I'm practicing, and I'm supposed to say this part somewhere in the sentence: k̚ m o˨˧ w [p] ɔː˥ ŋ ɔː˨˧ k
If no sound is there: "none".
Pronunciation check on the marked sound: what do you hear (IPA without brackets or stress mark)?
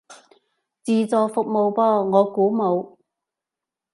p